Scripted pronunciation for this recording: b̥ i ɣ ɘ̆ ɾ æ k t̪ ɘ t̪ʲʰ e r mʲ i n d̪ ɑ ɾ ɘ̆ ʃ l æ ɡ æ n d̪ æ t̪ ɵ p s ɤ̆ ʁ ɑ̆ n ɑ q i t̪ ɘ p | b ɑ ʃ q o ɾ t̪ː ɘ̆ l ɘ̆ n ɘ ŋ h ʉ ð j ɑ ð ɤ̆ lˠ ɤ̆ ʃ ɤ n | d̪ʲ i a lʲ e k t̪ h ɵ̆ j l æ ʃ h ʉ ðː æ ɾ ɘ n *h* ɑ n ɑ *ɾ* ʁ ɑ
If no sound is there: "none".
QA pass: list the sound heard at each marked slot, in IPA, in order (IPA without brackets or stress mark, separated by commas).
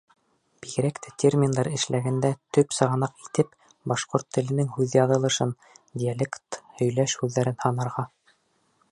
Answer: h, ɾ